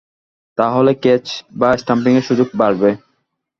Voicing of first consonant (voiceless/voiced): voiceless